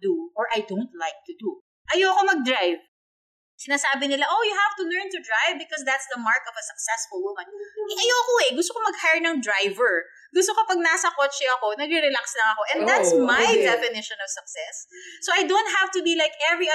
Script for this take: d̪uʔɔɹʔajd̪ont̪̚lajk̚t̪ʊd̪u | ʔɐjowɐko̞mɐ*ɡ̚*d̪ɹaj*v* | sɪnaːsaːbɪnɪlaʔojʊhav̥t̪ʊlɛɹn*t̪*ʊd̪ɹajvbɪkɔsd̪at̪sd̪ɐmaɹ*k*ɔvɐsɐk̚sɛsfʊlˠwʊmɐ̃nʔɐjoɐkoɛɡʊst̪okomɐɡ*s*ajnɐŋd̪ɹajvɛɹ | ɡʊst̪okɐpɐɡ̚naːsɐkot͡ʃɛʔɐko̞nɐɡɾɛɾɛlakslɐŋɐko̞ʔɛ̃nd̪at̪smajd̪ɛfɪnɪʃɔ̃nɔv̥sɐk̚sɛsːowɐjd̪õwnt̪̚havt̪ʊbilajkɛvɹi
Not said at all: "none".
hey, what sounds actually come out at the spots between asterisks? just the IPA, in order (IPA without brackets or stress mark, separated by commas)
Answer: ɡ̚, v, t̪, k, h